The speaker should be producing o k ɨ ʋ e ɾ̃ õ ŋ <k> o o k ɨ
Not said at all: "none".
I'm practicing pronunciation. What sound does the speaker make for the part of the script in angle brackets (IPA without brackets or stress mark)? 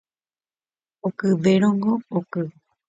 ɡ